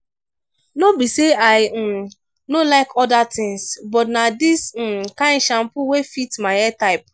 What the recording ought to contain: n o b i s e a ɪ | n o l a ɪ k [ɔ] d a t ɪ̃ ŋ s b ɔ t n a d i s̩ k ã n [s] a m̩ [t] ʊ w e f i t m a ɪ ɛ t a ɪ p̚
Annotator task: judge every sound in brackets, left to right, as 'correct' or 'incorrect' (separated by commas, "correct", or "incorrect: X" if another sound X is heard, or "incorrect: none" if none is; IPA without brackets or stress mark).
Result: correct, incorrect: ʃ, incorrect: p